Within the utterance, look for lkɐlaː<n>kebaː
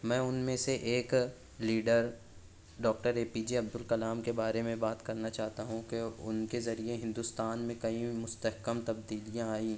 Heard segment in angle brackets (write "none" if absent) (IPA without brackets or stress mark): m